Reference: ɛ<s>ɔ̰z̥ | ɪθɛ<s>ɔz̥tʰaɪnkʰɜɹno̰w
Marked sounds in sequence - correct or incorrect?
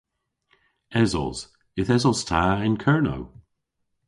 incorrect: z, incorrect: z

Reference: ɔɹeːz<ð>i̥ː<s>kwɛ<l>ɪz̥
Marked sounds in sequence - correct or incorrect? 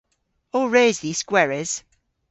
correct, correct, incorrect: ɹ

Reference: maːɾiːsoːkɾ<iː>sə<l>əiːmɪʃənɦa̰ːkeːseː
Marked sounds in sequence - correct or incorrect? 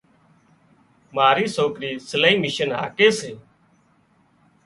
correct, correct

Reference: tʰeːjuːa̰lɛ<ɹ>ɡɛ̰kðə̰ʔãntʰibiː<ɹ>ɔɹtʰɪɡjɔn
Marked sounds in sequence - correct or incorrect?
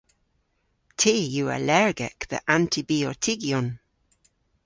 correct, incorrect: none

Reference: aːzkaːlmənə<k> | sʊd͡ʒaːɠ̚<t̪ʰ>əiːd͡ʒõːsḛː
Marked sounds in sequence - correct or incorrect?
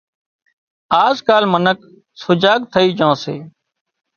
correct, correct

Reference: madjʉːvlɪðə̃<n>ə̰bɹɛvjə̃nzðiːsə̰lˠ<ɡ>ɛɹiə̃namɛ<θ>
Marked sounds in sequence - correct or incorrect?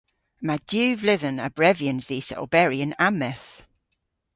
correct, incorrect: b, correct

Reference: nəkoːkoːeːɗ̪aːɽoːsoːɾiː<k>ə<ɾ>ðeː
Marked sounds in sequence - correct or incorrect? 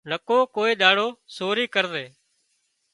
correct, correct

